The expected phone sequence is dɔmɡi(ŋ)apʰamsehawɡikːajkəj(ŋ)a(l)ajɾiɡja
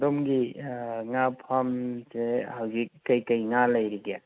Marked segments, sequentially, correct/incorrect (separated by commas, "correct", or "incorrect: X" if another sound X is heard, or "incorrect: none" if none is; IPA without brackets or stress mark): correct, correct, correct